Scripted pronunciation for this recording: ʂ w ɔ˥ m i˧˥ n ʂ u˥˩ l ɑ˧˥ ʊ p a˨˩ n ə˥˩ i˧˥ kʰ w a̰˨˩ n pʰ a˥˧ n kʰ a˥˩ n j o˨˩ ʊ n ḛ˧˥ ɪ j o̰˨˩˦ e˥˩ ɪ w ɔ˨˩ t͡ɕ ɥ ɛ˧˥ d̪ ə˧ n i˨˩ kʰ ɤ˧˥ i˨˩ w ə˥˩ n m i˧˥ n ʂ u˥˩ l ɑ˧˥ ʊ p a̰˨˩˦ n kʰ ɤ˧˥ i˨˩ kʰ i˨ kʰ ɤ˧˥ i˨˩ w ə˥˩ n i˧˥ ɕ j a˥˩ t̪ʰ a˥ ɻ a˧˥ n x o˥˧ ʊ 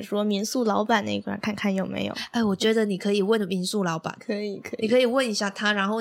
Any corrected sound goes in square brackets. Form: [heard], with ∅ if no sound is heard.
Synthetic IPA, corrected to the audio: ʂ w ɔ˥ m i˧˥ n [s] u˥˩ l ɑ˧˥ ʊ p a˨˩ n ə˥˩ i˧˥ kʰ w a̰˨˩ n [kʰ] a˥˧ n kʰ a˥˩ n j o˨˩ ʊ [m] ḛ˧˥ ɪ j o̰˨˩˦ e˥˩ ɪ w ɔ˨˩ t͡ɕ ɥ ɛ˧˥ d̪ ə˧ n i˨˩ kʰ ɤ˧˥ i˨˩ w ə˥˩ n m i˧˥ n [s] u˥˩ l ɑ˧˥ ʊ p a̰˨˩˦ n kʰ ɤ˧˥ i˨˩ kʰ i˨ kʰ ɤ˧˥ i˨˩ w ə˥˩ n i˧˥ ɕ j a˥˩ t̪ʰ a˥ ɻ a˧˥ n x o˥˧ ʊ